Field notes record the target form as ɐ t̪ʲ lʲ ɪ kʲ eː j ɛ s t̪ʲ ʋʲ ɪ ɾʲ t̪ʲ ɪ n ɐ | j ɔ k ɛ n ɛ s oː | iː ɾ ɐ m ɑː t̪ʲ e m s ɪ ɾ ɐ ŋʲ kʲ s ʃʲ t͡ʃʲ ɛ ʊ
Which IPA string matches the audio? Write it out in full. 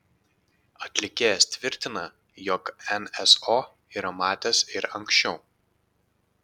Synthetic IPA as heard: ɐ t̪ʲ lʲ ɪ kʲ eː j ɛ s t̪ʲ ʋʲ ɪ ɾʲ t̪ʲ ɪ n ɐ | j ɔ k ɛ n ɛ s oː | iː ɾ ɐ m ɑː t̪ʲ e s ɪ ɾ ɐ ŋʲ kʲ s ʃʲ t͡ʃʲ ɛ ʊ